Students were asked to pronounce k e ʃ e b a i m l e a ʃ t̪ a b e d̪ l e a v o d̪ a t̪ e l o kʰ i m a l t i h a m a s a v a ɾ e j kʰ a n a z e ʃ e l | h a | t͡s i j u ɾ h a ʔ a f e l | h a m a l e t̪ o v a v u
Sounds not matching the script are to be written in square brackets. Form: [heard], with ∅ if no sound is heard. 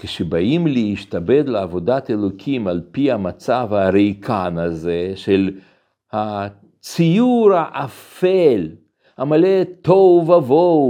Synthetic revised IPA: k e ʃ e b a i m l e [i] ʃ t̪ a b e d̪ l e a v o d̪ a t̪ e l o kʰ i m a l [p] i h a m a [t͡s] a v a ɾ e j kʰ a n a z e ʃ e l | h a | t͡s i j u ɾ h a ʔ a f e l | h a m a l e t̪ o v a v [o]